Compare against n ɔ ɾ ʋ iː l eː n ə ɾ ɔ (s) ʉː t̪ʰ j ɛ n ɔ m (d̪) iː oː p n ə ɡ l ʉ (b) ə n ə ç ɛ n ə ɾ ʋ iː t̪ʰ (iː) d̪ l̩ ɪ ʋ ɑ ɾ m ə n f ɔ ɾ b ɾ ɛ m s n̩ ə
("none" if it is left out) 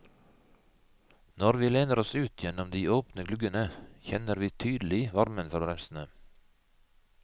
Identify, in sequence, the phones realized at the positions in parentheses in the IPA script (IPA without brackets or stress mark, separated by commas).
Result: s, d̪, ɡ, yː